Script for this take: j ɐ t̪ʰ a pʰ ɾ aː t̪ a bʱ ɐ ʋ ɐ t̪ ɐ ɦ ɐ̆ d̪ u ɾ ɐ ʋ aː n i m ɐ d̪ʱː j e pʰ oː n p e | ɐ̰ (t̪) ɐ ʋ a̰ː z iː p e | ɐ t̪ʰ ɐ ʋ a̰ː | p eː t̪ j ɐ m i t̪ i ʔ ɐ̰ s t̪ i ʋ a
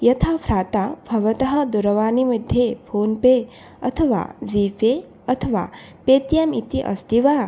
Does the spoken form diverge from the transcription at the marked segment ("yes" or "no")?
yes